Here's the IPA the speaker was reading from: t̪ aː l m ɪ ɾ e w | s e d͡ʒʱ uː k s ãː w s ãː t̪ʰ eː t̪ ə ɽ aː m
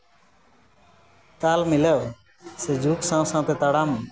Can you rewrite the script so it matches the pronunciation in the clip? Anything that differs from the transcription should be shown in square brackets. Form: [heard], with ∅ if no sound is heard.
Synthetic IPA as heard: t̪ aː l m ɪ [l] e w | s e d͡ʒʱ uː k s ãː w s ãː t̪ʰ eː t̪ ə ɽ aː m